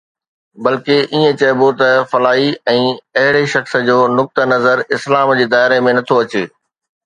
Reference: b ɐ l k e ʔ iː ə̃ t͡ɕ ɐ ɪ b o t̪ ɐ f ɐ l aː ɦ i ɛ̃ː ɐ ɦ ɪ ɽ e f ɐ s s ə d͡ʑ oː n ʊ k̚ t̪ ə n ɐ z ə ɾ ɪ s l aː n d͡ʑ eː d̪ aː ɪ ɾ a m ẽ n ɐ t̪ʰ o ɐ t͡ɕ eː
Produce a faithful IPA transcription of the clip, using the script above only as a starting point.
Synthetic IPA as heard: b ɐ l k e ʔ iː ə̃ t͡ɕ ɐ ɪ b o t̪ ɐ f ɐ l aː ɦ i ɛ̃ː ɐ ɦ ɪ ɽ e ʃ ɐ x s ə d͡ʑ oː n ʊ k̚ t̪ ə n ɐ z ə ɾ ɪ s l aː m d͡ʑ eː d̪ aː ɪ ɾ e m ẽ n ɐ t̪ʰ o ɐ t͡ɕ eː